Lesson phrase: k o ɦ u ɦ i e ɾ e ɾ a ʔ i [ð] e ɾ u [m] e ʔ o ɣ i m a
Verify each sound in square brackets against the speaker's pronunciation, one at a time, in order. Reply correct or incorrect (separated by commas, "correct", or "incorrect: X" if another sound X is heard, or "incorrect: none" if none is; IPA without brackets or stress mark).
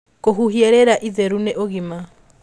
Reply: correct, incorrect: n